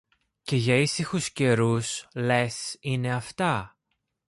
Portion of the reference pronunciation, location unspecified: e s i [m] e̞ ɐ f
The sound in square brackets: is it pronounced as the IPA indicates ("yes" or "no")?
no